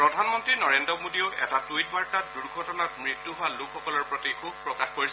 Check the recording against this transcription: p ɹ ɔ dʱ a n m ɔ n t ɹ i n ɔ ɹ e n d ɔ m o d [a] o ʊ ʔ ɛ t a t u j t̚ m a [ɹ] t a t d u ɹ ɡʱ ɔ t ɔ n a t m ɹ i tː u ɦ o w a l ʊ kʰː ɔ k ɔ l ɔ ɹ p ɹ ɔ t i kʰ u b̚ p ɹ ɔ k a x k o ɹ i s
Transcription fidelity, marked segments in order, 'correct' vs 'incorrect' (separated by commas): incorrect, correct